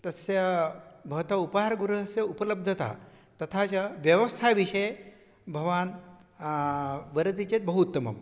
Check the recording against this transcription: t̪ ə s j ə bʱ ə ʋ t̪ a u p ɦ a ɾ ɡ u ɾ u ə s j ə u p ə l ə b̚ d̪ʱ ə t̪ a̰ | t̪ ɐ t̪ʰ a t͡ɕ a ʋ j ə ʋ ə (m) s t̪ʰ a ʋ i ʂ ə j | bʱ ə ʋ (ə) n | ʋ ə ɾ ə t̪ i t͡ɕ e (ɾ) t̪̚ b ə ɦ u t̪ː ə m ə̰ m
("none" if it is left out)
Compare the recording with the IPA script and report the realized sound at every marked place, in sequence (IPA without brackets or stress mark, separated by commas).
none, a, none